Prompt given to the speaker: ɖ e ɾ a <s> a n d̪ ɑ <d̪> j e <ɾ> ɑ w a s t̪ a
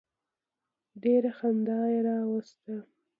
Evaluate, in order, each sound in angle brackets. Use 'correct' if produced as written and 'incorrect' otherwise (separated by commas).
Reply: incorrect, incorrect, correct